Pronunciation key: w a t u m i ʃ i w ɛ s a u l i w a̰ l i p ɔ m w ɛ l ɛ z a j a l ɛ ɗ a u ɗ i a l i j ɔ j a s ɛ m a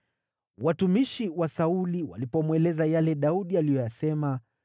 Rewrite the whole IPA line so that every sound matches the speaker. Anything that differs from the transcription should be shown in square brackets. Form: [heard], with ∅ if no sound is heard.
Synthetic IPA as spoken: w a t u m i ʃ i w [a] s a u l i w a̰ l i p ɔ m w ɛ l ɛ z a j a l ɛ ɗ a u ɗ i a l i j ɔ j a s ɛ m a